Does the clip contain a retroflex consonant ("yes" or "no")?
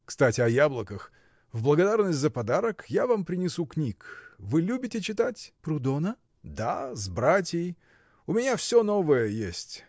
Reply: no